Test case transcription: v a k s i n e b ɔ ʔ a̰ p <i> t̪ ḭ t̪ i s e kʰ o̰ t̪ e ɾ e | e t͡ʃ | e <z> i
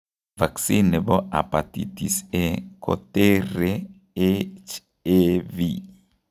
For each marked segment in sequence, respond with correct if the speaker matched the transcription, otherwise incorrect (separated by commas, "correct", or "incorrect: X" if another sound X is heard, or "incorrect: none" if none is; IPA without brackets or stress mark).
incorrect: a, incorrect: v